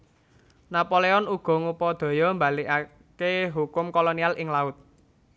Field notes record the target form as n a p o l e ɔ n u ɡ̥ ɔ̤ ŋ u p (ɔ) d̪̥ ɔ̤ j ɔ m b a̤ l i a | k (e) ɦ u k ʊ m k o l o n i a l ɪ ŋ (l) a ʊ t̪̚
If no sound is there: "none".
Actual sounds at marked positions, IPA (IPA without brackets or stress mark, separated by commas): ɔ, e, l